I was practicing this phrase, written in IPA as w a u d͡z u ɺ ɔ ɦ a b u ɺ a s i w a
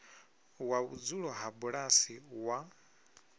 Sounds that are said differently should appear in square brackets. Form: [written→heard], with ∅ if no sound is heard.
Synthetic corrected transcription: w a u d͡z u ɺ ɔ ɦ a b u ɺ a s i w a